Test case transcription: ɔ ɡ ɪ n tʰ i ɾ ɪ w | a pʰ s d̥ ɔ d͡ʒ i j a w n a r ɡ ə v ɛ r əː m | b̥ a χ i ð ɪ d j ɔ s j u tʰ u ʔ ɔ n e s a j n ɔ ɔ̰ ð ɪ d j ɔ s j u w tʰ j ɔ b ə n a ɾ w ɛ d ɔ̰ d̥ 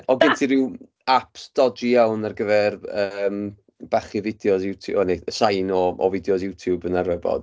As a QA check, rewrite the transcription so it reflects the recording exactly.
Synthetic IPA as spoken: ɔ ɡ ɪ n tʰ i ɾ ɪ w | a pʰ s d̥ ɔ d͡ʒ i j a w n a r ɡ ə v ɛ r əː m | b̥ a χ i v ɪ d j ɔ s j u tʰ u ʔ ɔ n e s a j n ɔ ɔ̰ v ɪ d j ɔ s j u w tʰ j u b ə n a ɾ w ɛ b ɔ̰ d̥